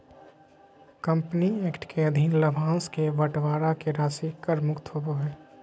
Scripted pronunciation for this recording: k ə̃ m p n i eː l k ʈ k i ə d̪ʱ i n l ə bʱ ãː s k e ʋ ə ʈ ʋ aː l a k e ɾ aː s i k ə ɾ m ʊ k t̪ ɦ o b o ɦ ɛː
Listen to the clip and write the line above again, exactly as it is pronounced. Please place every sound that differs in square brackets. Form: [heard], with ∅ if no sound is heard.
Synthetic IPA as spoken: k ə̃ m p n i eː [∅] k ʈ k [e] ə d̪ʱ i n l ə bʱ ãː s k e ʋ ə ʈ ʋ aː [ɾ] a k e ɾ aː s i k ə ɾ m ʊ k t̪ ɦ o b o ɦ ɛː